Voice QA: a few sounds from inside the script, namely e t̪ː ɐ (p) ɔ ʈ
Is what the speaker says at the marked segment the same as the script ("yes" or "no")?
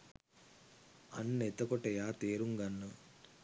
no